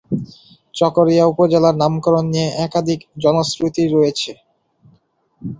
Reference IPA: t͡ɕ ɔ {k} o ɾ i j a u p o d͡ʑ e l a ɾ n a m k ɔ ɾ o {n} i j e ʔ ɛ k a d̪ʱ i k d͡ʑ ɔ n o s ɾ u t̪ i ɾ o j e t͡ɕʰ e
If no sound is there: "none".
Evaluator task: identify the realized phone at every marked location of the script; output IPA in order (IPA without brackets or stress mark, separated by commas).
k, nː